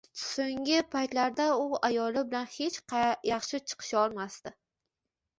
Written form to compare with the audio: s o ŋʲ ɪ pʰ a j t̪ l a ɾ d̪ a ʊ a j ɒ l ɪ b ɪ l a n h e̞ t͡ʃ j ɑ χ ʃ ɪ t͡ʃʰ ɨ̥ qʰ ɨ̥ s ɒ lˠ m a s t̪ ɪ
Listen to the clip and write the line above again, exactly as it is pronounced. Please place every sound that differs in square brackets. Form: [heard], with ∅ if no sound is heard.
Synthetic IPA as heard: s o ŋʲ ɪ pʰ a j t̪ l a ɾ d̪ a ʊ a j ɒ l ɪ b ɪ l a n h e̞ t͡ʃ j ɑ χ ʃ ɪ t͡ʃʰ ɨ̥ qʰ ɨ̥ [ʃ] ɒ lˠ m a s t̪ ɪ